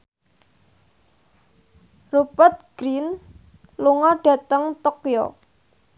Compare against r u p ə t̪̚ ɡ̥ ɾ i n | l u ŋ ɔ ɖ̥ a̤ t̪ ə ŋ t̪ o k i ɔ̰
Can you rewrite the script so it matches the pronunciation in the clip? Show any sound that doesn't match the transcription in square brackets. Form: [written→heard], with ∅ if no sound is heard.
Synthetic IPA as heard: r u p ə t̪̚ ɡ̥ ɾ i n | l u ŋ ɔ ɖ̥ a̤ t̪ ə ŋ t̪ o k [i→j] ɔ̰

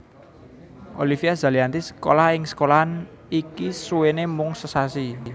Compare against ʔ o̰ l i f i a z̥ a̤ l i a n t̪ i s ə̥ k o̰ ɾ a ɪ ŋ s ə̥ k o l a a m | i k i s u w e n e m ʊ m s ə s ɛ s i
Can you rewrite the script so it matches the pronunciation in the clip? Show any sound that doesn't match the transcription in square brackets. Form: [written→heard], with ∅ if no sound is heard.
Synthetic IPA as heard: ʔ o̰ l i f i a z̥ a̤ l i a n t̪ i s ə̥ k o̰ [ɾ→l] a ɪ ŋ s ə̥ k o l a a [m→n] | i k i s u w e n e m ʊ [m→ŋ] s ə s [ɛ→a] s i

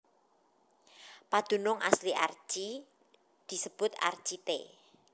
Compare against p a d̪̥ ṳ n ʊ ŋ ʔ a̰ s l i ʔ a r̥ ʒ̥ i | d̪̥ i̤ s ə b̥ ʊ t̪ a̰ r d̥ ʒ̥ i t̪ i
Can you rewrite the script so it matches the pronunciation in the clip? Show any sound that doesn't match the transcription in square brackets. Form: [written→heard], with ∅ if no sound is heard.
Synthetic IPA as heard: p a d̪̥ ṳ n ʊ ŋ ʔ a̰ s l i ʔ a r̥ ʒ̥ i | d̪̥ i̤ s ə b̥ ʊ t̪ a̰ r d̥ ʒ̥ i t̪ [i→e]

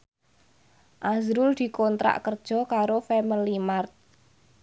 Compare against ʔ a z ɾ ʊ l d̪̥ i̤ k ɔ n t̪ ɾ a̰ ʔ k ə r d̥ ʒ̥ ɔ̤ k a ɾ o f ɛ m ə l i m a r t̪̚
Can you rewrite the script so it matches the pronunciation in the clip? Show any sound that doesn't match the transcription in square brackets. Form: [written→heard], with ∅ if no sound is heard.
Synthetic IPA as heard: ʔ a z ɾ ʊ l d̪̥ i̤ k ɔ n t̪ ɾ a̰ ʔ k ə r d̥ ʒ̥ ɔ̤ k a ɾ o f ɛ m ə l i m a r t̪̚

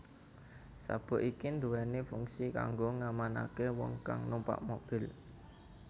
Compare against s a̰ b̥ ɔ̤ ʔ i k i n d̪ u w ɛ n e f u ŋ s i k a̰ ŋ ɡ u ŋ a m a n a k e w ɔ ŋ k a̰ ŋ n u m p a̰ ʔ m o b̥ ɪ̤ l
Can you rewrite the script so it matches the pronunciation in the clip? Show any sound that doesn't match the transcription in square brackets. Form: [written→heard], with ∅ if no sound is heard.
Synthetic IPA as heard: s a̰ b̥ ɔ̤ ʔ i k i n d̪ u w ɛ n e f u ŋ s i k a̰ ŋ ɡ [u→o] ŋ a m a n a k e w ɔ ŋ k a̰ ŋ n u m p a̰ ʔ m o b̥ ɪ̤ l

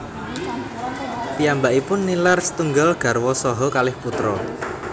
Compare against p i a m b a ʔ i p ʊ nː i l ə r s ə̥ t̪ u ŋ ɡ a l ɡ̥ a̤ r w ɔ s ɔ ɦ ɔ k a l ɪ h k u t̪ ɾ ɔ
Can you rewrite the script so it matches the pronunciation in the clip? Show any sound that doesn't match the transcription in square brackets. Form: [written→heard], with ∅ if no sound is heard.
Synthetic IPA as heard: p i a m b a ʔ i p ʊ nː i l [ə→a] r s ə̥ t̪ u ŋ ɡ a l ɡ̥ a̤ r w ɔ s ɔ ɦ ɔ k a l ɪ h [k→p] u t̪ ɾ ɔ

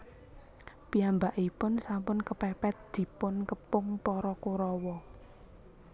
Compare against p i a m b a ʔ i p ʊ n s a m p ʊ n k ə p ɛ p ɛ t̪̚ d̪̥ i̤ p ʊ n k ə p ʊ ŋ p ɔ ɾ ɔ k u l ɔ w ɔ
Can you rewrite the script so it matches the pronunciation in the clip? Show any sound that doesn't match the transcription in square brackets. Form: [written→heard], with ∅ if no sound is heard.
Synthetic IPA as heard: p i a m b a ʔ i p ʊ n s a m p ʊ n k ə p ɛ p ɛ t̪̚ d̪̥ i̤ p ʊ n k ə p ʊ ŋ p ɔ ɾ ɔ k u [l→ɾ] ɔ w ɔ

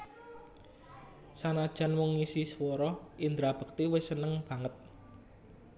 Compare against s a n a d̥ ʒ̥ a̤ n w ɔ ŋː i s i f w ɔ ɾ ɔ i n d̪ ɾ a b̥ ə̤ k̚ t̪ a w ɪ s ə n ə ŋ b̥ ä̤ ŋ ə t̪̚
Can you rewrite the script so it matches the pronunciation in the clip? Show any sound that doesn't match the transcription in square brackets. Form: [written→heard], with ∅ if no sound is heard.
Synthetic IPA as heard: s a n a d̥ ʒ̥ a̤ n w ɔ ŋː i s i [f→s] w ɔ ɾ ɔ i n d̪ ɾ a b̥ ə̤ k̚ t̪ [a→i] w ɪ s ə n ə ŋ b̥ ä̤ ŋ ə t̪̚

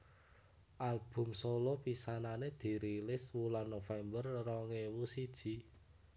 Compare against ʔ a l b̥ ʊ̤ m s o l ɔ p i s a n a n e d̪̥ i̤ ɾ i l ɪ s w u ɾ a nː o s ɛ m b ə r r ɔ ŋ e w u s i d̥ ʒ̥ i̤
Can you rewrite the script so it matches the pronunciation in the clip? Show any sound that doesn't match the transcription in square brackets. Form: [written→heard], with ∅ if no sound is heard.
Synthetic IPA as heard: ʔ a l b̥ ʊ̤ m s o l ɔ p i s a n a n e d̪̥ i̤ ɾ i l ɪ s w u [ɾ→l] a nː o [s→f] ɛ m b ə r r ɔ ŋ e w u s i d̥ ʒ̥ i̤

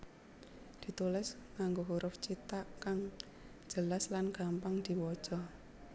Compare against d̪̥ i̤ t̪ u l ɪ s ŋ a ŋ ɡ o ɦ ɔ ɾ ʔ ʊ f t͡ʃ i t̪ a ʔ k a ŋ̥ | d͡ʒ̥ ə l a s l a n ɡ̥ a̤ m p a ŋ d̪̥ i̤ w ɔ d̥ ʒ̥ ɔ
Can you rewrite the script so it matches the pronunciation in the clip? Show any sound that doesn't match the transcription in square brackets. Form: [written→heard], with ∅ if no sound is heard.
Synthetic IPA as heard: d̪̥ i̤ t̪ u l ɪ s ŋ a ŋ ɡ o ɦ [ɔ→u] ɾ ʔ ʊ f t͡ʃ i t̪ a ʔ k a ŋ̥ | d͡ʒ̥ ə l a s l a n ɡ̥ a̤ m p a ŋ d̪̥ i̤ w ɔ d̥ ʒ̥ ɔ

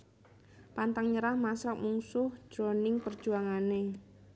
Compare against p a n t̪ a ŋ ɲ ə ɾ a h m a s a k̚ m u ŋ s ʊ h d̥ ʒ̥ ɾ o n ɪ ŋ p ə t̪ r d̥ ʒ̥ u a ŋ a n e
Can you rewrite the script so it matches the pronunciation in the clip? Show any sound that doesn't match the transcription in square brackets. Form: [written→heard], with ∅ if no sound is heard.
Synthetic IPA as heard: p a n t̪ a ŋ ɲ ə ɾ a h m a s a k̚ m u ŋ s ʊ h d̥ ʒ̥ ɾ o n ɪ ŋ p ə [t̪→∅] r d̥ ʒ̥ u a ŋ a n e

